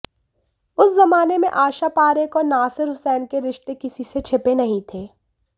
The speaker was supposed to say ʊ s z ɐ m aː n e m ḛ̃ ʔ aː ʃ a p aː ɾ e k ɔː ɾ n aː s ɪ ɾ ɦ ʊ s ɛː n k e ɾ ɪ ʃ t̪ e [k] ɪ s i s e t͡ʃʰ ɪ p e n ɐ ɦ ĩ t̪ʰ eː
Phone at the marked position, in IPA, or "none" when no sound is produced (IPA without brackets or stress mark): k